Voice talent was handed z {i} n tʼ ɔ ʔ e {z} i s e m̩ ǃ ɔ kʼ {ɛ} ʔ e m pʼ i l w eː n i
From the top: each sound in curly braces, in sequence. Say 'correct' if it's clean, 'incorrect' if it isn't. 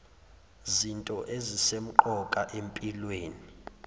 correct, correct, incorrect: a

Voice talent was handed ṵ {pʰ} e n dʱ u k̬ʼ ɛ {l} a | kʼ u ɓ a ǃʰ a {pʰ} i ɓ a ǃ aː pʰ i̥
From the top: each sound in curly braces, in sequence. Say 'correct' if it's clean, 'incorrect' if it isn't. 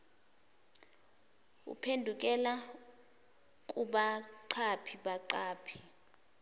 correct, correct, correct

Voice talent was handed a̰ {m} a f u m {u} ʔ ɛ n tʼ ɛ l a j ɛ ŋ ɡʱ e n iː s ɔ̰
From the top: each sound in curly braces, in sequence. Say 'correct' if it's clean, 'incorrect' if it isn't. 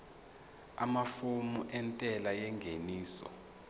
correct, correct

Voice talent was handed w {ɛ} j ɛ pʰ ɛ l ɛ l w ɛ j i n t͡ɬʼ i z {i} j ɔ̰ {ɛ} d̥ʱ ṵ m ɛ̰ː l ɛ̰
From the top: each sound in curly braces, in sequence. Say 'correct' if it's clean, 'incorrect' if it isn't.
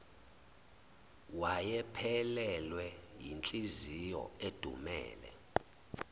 incorrect: a, correct, incorrect: e

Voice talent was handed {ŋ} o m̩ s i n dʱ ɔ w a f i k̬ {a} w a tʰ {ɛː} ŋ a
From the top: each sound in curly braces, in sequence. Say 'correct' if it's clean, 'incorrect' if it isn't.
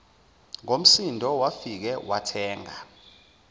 correct, incorrect: ɛ, correct

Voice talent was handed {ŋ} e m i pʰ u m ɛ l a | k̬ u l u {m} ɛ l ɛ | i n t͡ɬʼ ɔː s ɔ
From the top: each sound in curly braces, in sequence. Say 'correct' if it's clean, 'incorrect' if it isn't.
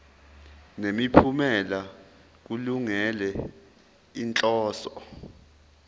incorrect: n, incorrect: ŋ

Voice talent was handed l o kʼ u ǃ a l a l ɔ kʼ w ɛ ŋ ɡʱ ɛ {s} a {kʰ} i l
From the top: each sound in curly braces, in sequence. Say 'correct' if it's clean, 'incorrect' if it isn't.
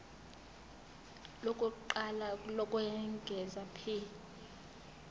incorrect: z, incorrect: pʰ

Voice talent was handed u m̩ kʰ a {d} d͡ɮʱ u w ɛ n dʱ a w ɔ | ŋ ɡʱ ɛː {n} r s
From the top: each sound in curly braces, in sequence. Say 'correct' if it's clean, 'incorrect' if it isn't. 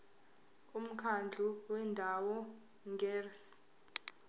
incorrect: n, incorrect: none

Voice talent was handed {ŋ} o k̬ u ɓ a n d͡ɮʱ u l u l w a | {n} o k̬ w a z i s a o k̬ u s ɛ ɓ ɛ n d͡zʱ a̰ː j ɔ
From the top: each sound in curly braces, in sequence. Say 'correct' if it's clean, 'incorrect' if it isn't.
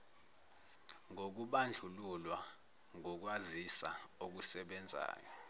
correct, incorrect: ŋ

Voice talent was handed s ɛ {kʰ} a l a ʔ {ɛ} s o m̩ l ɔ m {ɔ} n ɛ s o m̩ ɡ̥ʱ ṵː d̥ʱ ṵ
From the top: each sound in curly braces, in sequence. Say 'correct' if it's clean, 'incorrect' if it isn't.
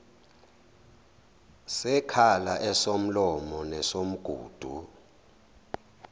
correct, correct, correct

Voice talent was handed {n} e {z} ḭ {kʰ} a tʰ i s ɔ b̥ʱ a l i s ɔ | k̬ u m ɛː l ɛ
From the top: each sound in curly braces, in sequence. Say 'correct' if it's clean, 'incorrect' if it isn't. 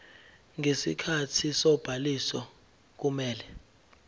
incorrect: ŋ, incorrect: s, correct

